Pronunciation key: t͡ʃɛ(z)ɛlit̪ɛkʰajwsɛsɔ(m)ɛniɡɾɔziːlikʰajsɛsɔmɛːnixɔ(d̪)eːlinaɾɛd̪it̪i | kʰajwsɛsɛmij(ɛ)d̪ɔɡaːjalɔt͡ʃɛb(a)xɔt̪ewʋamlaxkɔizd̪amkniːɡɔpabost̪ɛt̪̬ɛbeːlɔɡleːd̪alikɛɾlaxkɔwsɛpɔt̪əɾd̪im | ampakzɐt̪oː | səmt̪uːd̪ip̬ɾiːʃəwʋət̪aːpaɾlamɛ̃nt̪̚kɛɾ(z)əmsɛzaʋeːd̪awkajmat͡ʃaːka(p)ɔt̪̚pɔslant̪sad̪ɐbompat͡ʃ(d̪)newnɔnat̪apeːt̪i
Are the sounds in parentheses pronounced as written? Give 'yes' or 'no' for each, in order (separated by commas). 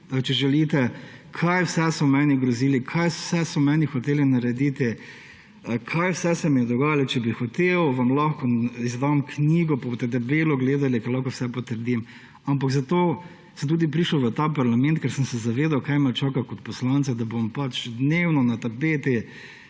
no, yes, no, yes, no, no, no, yes